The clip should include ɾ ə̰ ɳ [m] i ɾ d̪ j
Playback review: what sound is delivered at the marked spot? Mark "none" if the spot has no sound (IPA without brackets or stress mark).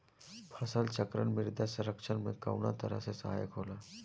m